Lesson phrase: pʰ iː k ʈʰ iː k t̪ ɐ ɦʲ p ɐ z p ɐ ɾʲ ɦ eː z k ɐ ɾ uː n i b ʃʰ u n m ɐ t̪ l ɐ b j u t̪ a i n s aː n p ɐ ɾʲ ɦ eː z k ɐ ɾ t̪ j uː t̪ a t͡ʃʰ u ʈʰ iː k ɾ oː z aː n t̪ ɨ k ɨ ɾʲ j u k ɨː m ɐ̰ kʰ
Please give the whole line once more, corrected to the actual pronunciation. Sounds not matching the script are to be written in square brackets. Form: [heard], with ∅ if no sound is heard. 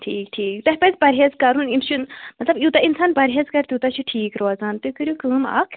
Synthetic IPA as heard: [ʈʰ] iː k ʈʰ iː k t̪ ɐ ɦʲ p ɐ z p ɐ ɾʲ ɦ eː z k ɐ ɾ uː n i [m] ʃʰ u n m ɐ t̪ l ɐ b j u t̪ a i n s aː n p ɐ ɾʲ ɦ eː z k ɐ ɾ t̪ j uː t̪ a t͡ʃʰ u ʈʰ iː k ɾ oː z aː n t̪ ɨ k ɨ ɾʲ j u k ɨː m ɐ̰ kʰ

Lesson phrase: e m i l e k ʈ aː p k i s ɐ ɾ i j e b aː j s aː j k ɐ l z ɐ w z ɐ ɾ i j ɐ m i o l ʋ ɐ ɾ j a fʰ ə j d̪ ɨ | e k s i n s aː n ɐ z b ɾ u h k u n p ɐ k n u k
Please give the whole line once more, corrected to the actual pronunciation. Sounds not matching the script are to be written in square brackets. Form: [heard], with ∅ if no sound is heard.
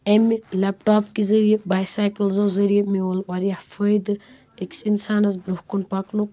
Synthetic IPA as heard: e m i l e [p] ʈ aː p k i [z] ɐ ɾ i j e b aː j s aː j k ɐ l z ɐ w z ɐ ɾ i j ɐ m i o l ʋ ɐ ɾ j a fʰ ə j d̪ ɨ | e k s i n s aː n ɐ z b ɾ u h k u n p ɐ k n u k

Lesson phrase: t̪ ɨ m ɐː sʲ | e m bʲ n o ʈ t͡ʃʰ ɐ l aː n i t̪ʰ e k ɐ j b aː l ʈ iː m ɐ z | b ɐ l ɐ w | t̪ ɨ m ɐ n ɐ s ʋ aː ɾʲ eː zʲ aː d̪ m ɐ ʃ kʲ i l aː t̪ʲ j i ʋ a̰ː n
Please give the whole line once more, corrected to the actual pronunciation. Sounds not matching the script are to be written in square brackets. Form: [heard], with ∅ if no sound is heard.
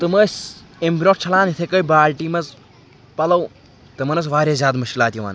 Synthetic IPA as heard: t̪ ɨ m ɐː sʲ | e m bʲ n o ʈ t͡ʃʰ ɐ l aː n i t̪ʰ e k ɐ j b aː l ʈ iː m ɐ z | [p] ɐ l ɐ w | t̪ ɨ m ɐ n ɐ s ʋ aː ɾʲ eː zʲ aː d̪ m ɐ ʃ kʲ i l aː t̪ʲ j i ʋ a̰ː n

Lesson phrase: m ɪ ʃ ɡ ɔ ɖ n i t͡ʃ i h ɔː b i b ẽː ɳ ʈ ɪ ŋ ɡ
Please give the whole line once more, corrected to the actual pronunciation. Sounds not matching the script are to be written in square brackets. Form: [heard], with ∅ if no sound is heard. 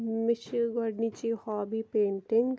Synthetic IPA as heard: m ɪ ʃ ɡ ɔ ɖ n i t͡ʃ i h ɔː b i [p] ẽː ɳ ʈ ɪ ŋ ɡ

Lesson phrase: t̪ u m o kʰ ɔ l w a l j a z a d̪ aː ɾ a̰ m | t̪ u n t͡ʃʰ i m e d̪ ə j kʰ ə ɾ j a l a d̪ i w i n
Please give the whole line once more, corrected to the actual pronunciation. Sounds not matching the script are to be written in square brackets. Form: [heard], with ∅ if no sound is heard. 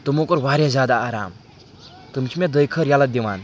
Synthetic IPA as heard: t̪ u m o [k] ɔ [ɾ] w a [ɾ] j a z a d̪ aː ɾ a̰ m | t̪ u [m] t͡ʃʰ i m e d̪ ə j kʰ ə ɾ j a l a d̪ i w [a] n

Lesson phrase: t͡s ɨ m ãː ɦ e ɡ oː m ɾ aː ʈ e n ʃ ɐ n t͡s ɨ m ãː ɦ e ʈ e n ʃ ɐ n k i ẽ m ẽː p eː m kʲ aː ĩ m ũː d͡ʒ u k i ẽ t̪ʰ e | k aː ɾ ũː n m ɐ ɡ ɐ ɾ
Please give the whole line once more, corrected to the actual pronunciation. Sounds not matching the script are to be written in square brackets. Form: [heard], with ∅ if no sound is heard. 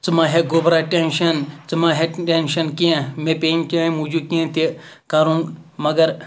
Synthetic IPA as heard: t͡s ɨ m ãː ɦ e ɡ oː [b] ɾ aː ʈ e n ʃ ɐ n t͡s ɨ m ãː ɦ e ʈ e n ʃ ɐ n k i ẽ m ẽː p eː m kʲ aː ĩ m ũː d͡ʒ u k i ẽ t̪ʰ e | k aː ɾ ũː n m ɐ ɡ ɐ ɾ

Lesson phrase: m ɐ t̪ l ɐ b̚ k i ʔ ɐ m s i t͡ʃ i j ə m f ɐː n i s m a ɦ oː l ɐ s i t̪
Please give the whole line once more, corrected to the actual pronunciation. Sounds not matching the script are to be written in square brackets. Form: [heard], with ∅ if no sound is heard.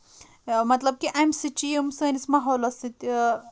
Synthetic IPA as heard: m ɐ t̪ l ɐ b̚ k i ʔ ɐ m s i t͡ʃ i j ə m [s] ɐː n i s m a ɦ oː l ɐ s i t̪

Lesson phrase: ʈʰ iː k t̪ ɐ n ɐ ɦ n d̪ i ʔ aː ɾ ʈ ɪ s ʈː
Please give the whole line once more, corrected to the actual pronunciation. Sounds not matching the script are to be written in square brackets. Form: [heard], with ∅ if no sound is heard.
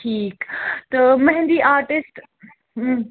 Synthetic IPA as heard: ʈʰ iː k t̪ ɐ [m] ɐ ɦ n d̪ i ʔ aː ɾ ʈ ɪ s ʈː

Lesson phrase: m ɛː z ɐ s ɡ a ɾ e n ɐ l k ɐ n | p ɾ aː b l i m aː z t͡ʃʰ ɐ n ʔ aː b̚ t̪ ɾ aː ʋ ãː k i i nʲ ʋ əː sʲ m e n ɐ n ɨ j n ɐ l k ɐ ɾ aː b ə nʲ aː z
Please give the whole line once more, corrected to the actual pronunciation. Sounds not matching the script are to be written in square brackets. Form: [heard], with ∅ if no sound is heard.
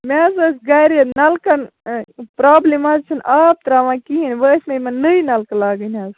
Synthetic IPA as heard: m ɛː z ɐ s ɡ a ɾ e n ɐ l k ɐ n | p ɾ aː b l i m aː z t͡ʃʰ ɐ n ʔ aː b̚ t̪ ɾ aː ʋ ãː k i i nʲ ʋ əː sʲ m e [m] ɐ n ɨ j n ɐ l k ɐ [l] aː [ɡ] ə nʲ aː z

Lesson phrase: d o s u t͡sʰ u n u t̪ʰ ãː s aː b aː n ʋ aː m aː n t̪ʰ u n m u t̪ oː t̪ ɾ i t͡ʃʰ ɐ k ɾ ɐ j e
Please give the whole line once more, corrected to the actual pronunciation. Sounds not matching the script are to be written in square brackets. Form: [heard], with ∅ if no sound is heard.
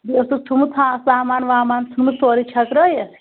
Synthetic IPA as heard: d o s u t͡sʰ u [m] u t̪ʰ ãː s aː [m] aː n ʋ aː m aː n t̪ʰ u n m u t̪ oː [∅] ɾ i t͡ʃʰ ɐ k ɾ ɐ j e

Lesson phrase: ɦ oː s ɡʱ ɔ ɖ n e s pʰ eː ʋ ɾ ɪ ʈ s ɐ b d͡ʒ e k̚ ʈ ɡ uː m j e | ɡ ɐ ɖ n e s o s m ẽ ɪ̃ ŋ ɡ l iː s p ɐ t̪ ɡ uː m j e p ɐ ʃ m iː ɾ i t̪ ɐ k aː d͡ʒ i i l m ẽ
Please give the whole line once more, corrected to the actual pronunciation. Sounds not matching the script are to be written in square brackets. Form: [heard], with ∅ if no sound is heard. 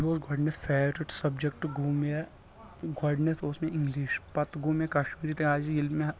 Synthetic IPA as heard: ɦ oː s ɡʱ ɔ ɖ n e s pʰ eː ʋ ɾ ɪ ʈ s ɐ b d͡ʒ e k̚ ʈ ɡ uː m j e | ɡ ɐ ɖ n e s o s m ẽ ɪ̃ ŋ ɡ l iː [ʃ] p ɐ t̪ ɡ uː m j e [k] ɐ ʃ m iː ɾ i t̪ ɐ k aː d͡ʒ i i l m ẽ

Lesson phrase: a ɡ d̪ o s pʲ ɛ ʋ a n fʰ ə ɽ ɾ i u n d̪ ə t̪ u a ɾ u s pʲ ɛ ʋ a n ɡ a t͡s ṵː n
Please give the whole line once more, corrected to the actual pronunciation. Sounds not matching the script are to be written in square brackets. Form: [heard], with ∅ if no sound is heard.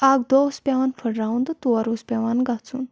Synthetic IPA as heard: a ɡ d̪ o s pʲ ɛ ʋ a n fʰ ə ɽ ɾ [a] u n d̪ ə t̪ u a ɾ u s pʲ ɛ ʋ a n ɡ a t͡s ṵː n

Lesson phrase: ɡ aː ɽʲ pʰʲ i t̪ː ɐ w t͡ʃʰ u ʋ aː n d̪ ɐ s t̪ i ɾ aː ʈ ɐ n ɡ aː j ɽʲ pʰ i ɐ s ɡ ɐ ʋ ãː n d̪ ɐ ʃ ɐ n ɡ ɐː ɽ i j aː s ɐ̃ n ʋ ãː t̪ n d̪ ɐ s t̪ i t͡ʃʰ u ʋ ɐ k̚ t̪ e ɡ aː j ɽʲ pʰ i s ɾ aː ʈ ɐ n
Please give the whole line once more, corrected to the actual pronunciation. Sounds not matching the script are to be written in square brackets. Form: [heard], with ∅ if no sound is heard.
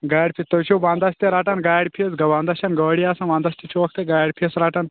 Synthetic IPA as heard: ɡ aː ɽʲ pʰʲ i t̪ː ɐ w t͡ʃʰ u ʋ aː n d̪ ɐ s t̪ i ɾ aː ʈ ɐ n ɡ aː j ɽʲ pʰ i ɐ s ɡ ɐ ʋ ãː n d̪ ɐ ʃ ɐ n ɡ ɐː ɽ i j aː s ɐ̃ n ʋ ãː [∅] n d̪ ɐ s t̪ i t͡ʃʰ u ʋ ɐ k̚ t̪ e ɡ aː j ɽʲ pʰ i s ɾ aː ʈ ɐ n

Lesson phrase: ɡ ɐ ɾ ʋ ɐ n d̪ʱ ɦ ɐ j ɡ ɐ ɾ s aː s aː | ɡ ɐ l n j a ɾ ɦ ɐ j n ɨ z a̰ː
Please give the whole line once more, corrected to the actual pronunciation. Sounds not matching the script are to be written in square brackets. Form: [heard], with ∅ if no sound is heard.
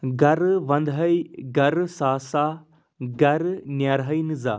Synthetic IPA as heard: ɡ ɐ ɾ ʋ ɐ n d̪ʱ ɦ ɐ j ɡ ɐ ɾ s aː s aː | ɡ ɐ [ɾ] n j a ɾ ɦ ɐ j n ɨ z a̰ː

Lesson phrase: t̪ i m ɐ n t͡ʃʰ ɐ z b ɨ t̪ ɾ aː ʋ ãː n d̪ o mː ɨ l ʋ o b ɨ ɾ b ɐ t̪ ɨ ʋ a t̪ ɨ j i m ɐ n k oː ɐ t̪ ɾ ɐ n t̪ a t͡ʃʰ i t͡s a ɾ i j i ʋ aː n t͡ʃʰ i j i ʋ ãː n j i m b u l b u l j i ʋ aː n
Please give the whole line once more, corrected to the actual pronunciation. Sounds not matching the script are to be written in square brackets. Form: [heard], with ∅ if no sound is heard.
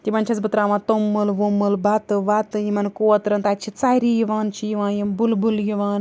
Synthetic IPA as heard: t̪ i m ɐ n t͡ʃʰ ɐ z b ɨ t̪ ɾ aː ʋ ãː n [t̪] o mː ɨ l ʋ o [m] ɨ [l] b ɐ t̪ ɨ ʋ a t̪ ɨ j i m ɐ n k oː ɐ t̪ ɾ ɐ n t̪ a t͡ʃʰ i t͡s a ɾ i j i ʋ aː n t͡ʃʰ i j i ʋ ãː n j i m b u l b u l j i ʋ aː n

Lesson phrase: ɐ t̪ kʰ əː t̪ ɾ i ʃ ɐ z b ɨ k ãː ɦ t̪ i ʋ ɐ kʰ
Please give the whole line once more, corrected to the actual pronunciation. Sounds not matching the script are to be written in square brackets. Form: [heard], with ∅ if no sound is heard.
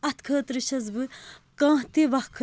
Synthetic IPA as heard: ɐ t̪ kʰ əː t̪ ɾ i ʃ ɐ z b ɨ k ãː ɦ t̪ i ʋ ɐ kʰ

